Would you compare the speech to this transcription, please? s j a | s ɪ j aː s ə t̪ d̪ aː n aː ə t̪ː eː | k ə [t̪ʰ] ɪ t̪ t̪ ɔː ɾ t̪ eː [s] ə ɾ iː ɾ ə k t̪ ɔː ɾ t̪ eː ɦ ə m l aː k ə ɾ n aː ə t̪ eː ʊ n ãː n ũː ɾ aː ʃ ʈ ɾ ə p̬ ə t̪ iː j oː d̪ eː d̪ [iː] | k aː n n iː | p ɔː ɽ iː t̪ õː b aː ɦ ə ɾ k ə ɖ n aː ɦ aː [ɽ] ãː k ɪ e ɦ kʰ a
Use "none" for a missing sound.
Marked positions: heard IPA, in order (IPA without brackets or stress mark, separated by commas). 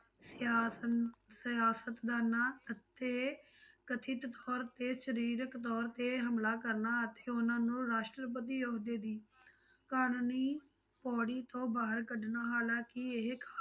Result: t̪ʰ, ʃ, iː, l